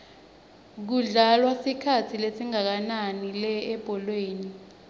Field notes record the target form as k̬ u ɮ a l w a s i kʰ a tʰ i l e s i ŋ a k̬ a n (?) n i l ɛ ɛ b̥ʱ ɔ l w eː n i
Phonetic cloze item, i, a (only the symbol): a